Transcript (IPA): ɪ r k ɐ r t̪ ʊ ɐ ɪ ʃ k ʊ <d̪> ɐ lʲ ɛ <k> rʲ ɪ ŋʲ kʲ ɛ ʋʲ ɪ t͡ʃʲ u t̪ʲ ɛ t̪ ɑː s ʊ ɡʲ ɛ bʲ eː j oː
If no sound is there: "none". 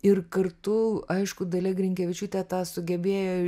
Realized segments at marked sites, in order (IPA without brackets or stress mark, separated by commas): d̪, ɡ